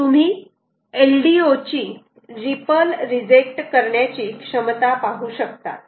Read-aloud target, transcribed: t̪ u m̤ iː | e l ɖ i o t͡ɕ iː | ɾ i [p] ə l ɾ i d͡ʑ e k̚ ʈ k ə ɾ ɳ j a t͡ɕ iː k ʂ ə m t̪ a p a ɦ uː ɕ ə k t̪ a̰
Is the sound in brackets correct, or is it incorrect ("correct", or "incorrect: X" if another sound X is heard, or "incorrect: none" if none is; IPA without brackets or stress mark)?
correct